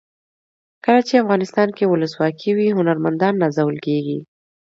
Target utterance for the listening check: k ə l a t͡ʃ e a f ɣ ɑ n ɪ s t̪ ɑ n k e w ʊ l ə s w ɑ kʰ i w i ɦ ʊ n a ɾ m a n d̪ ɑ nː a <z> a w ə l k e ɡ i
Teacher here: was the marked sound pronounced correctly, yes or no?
yes